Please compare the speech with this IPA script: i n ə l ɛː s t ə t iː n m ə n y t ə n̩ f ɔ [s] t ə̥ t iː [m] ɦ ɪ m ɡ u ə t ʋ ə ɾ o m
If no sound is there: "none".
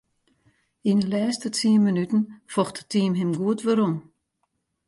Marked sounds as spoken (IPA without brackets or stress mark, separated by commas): x, m